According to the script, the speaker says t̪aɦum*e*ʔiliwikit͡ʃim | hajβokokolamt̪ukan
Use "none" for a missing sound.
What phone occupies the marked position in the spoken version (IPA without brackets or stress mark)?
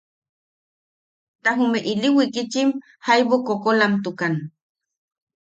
e